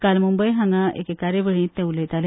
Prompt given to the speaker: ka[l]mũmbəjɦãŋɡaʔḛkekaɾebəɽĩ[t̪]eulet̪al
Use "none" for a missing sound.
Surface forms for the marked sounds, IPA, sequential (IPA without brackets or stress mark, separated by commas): l, t̪